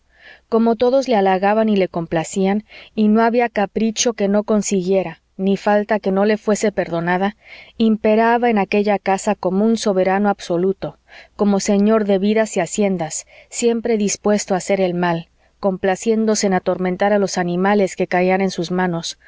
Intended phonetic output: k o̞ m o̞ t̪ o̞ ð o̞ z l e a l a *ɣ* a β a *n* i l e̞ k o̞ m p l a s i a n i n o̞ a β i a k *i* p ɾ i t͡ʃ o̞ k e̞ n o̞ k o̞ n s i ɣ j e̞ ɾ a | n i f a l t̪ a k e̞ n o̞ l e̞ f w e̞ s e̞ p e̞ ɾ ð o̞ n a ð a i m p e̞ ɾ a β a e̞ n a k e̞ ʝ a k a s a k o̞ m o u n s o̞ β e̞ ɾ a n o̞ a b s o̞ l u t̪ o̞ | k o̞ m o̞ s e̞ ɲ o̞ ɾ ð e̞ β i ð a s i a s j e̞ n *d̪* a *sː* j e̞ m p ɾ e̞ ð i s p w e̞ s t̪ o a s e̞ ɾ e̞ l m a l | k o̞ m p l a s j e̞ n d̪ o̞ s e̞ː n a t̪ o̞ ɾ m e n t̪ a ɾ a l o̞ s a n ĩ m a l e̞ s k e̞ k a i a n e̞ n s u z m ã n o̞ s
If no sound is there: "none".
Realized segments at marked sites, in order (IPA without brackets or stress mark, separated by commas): ɣ, n, a, d̪, sː